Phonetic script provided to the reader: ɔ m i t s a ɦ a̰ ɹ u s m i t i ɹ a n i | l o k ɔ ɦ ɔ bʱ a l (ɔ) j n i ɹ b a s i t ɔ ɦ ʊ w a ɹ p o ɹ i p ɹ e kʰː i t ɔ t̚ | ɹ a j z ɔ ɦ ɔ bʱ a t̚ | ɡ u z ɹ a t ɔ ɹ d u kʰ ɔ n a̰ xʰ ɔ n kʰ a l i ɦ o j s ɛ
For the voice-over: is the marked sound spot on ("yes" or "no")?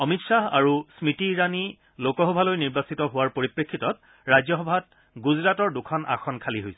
no